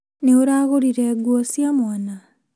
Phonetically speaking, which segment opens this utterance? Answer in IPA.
n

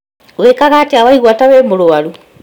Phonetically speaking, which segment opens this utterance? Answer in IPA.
w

